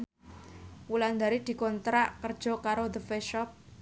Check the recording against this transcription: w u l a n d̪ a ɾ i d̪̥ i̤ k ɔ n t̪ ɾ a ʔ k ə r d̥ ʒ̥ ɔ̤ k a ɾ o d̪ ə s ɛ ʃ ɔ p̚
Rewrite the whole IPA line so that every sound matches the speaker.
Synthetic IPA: w u l a n d̪ a ɾ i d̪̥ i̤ k ɔ n t̪ ɾ a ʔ k ə r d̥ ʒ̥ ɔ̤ k a ɾ o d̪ ə f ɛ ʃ ɔ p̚